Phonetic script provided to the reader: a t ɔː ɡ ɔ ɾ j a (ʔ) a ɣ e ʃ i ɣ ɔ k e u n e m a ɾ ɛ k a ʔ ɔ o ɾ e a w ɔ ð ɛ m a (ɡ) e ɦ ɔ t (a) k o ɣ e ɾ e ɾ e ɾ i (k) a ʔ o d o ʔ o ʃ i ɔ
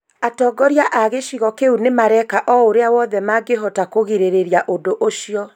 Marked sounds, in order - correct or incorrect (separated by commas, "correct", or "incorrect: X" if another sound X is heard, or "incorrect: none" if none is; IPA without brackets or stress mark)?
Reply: correct, correct, correct, incorrect: none